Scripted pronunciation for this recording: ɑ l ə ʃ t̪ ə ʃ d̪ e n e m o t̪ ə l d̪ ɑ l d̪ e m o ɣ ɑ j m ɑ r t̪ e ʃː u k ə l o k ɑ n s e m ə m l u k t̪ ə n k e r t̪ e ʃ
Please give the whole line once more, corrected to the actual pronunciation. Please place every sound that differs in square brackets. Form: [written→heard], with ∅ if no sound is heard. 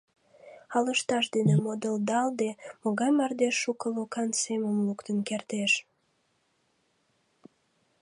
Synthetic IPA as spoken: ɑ l ə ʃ t̪ [ə→ɑ] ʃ d̪ e n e m o [t̪→d̪] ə l d̪ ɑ l d̪ e m o ɣ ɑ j m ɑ r [t̪→d̪] e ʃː u k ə l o k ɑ n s e m ə m l u k t̪ ə n k e r t̪ e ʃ